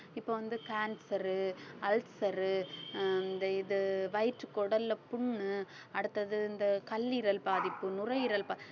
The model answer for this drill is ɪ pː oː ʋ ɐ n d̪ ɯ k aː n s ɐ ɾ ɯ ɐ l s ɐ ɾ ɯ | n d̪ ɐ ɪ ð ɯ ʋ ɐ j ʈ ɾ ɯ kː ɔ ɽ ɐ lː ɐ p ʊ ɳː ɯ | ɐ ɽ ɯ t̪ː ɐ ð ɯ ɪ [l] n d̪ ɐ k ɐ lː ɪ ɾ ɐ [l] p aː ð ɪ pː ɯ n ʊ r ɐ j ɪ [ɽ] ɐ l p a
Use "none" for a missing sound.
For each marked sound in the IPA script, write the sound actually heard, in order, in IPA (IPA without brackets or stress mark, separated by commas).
none, l, ɾ